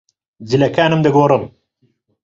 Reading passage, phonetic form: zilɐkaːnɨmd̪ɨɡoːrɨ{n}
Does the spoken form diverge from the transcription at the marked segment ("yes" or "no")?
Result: yes